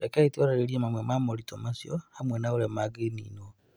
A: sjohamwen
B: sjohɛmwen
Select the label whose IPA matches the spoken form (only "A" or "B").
A